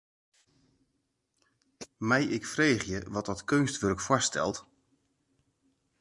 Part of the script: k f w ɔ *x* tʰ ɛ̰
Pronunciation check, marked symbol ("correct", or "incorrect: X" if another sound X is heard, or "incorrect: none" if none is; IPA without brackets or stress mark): incorrect: s